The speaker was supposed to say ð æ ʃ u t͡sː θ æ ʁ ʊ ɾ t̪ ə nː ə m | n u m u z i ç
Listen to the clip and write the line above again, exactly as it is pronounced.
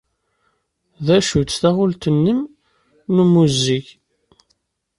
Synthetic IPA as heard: ð æ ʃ u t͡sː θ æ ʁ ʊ l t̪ ə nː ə m | n u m u z i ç